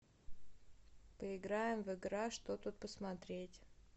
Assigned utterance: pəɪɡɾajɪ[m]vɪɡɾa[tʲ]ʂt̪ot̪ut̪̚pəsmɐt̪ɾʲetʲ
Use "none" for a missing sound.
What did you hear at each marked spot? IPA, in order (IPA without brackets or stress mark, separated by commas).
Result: m, none